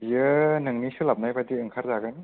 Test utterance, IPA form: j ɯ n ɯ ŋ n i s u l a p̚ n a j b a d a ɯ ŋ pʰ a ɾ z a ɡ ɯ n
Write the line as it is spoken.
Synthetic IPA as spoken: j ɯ n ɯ ŋ n i s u l a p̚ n a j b a d i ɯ ŋ kʰ a ɾ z a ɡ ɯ n